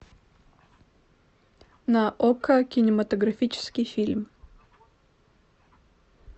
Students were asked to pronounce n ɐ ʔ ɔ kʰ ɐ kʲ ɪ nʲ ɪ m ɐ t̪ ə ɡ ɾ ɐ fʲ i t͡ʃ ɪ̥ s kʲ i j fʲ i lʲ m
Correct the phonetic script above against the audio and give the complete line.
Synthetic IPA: n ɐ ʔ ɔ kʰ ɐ kʲ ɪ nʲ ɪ m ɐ t̪ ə ɡ ɾ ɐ fʲ i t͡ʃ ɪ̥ s kʲ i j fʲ i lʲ m